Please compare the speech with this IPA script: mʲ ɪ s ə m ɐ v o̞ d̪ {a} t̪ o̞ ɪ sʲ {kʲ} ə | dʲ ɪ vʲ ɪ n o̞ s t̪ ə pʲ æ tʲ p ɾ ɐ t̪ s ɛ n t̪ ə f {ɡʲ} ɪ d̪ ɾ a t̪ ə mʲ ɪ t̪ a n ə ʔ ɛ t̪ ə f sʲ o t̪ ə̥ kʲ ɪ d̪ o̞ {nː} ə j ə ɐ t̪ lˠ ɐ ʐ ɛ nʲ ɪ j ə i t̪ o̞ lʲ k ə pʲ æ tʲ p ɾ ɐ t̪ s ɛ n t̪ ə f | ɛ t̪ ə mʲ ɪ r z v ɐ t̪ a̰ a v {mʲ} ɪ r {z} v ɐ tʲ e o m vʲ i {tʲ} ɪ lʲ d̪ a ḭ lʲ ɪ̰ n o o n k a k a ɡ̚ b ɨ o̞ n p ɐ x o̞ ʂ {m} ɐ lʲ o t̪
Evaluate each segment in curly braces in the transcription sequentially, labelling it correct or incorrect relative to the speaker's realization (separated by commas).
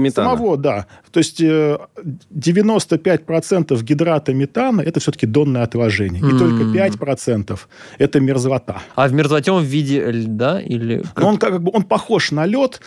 correct, incorrect, correct, correct, correct, correct, incorrect, incorrect